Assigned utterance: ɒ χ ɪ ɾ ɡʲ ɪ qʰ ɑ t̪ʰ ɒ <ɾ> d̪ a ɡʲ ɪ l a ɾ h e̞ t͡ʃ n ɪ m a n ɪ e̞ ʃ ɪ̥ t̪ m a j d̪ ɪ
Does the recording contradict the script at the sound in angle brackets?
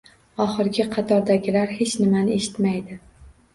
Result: no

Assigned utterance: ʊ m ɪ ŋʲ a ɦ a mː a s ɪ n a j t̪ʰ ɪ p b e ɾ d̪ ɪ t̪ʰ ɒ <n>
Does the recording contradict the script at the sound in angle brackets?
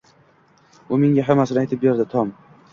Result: yes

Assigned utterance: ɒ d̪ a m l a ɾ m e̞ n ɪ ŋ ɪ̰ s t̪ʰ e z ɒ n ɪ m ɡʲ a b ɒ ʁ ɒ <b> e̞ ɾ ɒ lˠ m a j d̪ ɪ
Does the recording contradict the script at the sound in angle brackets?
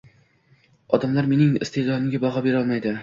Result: no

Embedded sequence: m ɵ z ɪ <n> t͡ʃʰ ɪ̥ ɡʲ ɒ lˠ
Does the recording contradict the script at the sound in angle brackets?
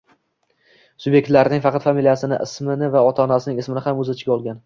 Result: yes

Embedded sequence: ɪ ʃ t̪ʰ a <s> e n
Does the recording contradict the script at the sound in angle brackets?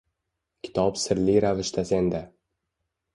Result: no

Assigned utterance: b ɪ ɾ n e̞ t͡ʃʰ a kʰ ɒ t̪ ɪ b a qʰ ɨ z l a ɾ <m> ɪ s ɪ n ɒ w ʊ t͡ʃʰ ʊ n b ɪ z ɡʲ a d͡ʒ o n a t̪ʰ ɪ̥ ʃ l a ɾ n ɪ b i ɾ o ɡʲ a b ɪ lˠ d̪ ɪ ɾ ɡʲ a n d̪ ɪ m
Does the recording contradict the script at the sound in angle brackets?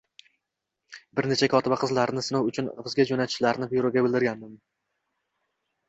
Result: yes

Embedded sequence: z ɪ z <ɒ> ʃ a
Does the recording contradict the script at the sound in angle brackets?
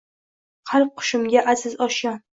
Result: no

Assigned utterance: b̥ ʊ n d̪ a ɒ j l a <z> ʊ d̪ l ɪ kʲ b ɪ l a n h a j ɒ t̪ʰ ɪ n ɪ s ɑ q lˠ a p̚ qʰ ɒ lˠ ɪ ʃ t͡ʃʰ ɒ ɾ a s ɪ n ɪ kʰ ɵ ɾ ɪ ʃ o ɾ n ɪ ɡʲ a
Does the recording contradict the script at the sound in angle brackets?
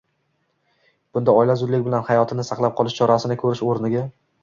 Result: no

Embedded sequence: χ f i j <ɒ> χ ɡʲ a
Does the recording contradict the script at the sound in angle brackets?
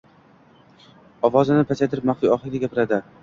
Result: no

